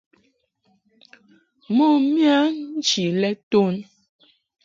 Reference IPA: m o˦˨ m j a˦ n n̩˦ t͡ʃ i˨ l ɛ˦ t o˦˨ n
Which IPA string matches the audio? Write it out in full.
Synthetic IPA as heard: m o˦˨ m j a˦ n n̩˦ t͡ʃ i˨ l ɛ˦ t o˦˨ n